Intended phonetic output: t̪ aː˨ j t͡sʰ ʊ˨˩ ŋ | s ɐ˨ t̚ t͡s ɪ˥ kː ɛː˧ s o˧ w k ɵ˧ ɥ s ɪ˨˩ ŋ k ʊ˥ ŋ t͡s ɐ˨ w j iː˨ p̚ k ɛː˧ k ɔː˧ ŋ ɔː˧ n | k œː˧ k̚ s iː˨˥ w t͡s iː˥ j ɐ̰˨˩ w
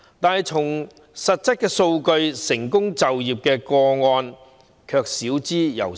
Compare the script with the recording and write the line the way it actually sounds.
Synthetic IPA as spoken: t̪ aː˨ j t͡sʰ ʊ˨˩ ŋ | s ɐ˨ t̚ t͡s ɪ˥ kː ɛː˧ s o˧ w k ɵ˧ ɥ s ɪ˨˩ ŋ k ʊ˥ ŋ t͡s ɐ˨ w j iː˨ p̚ k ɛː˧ k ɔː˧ ŋ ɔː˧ n | kʰ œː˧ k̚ s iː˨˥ w t͡s iː˥ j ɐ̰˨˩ w